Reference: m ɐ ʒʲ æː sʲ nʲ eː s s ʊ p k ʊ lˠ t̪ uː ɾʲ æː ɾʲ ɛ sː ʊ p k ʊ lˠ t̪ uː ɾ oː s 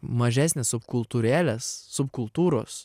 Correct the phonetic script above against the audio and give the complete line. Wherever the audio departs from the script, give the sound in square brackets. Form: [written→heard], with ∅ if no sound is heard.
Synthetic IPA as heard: m ɐ ʒʲ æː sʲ nʲ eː s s ʊ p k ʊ lˠ t̪ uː ɾʲ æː [ɾʲ→lʲ] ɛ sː ʊ p k ʊ lˠ t̪ uː ɾ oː s